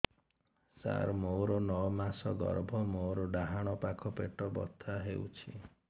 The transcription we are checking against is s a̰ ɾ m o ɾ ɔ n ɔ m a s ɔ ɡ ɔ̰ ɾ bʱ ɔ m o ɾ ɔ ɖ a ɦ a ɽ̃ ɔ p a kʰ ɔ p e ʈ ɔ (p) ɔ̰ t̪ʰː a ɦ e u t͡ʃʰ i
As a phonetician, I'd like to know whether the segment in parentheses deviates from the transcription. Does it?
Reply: yes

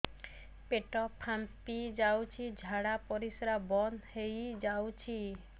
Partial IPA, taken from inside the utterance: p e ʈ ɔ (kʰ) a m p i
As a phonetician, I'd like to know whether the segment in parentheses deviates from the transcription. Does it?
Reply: yes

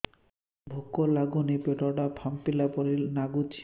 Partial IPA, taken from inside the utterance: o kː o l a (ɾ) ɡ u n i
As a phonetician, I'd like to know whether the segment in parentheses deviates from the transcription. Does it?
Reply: yes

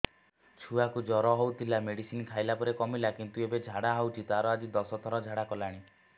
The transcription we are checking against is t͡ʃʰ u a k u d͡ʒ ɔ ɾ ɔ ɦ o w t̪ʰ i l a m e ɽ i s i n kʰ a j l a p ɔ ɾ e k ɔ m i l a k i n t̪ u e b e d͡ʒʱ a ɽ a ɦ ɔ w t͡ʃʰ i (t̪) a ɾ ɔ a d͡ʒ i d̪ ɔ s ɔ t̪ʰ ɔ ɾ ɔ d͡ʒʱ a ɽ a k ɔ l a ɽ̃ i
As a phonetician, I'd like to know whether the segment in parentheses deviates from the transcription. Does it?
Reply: no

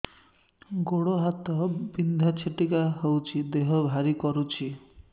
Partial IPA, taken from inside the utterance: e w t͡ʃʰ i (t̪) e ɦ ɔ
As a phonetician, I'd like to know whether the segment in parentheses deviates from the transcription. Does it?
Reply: yes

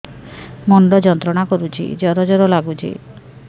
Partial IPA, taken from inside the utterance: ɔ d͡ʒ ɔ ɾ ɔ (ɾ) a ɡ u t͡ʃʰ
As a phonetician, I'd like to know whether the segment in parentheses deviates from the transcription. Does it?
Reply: yes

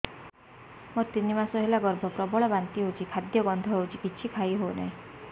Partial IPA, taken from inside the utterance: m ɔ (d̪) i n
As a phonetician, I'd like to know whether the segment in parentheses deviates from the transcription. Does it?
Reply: yes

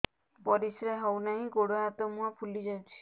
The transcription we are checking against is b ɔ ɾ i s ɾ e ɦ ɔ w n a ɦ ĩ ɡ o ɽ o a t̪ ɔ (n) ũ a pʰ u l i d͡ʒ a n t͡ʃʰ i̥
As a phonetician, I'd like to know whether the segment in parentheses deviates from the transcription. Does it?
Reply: yes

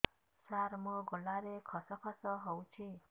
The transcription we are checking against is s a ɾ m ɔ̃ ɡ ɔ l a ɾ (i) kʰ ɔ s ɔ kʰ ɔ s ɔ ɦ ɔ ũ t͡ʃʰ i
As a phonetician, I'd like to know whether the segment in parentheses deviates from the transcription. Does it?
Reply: yes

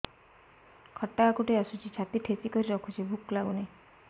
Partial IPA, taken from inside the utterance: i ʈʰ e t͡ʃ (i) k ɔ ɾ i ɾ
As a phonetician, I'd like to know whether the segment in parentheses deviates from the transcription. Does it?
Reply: no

